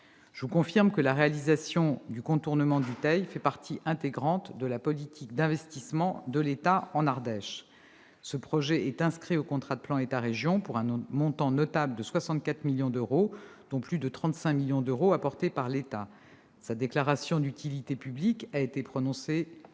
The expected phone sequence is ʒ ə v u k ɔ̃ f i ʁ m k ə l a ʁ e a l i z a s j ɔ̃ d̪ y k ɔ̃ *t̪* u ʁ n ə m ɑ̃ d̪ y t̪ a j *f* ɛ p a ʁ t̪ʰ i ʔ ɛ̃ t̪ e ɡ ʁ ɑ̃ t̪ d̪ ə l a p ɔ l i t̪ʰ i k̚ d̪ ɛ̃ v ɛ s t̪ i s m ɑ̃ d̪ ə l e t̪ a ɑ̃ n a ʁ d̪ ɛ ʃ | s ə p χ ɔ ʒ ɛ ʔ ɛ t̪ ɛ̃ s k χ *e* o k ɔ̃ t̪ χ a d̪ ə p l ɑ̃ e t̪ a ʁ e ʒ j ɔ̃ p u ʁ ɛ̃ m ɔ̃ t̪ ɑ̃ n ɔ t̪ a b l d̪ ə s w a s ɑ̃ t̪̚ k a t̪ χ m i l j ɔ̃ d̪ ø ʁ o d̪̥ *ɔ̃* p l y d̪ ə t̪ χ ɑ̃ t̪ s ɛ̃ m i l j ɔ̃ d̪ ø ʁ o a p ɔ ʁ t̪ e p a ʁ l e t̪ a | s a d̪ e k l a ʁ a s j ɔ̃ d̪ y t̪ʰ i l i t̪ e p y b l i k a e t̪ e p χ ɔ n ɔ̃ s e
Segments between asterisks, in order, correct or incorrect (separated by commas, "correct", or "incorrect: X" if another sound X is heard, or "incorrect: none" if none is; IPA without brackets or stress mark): correct, correct, incorrect: i, correct